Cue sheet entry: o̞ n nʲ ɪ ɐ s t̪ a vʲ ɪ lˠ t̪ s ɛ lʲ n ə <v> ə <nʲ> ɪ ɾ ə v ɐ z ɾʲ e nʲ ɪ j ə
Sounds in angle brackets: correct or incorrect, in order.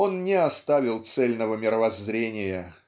correct, incorrect: mʲ

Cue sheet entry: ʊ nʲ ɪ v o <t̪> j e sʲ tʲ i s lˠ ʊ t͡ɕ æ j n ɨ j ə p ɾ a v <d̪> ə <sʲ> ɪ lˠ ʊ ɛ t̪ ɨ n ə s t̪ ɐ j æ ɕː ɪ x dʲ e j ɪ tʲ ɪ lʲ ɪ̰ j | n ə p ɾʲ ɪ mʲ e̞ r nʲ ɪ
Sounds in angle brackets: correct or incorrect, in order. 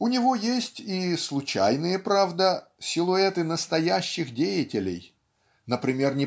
incorrect: none, correct, correct

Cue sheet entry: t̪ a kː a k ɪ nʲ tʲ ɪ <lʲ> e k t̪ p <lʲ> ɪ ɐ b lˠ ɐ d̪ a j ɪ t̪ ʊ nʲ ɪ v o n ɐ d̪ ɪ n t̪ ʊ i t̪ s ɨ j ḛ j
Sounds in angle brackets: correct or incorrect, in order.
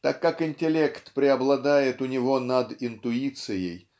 correct, incorrect: ɾʲ

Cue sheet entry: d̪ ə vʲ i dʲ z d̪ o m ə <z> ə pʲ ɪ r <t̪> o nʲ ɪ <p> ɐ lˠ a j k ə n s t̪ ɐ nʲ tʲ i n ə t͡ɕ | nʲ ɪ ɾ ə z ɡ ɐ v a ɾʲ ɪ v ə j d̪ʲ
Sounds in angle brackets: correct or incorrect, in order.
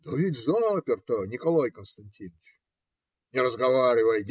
incorrect: none, correct, incorrect: k

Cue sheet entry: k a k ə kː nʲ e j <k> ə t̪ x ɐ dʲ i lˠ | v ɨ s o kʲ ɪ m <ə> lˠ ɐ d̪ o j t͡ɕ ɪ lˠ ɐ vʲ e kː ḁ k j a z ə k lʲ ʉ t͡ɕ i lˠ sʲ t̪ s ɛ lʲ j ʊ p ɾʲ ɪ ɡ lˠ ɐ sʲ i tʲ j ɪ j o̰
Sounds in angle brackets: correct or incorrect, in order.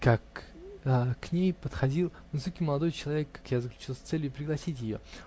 incorrect: p, correct

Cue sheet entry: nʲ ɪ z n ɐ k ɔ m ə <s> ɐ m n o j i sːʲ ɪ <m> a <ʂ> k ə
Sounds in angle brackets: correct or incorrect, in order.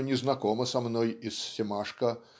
correct, correct, correct

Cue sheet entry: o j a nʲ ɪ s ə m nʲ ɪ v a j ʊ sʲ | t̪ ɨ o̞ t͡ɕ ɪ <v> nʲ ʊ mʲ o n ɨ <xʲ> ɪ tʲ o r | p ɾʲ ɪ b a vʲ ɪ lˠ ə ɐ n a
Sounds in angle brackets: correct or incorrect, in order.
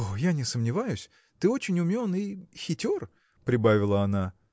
incorrect: none, correct

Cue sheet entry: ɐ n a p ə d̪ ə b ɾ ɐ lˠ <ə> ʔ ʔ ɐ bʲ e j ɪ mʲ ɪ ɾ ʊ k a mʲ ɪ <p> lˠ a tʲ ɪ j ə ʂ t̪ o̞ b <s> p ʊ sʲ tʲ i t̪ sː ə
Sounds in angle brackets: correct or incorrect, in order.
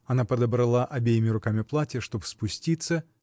incorrect: a, correct, correct

